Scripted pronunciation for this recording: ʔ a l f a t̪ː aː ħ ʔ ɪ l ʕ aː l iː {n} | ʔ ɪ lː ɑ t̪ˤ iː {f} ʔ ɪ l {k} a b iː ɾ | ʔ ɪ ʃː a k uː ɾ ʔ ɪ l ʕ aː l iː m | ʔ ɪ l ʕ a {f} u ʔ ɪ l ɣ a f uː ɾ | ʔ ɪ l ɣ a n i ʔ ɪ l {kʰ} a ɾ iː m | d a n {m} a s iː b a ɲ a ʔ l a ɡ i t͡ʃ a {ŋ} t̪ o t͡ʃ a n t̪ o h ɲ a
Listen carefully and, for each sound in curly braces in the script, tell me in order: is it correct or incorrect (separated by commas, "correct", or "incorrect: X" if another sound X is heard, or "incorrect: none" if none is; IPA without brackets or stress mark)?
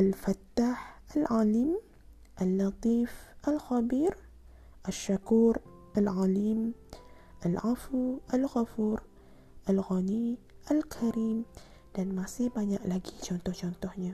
incorrect: m, correct, incorrect: x, correct, correct, correct, incorrect: n